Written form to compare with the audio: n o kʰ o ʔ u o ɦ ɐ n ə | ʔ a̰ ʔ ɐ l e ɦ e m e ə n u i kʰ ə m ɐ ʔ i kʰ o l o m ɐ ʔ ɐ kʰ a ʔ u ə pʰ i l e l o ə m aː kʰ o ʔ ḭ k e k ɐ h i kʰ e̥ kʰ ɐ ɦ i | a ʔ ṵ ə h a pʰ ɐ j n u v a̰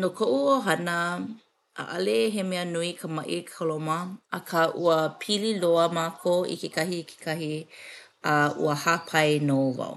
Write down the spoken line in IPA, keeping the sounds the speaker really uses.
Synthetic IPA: n o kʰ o ʔ u o ɦ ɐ n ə | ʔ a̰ ʔ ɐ l e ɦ e m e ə n u i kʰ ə m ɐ ʔ i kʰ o l o m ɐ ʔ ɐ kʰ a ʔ u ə pʰ i l i l o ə m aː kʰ o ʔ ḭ k e k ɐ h i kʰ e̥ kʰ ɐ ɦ i | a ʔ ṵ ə h a pʰ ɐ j n o v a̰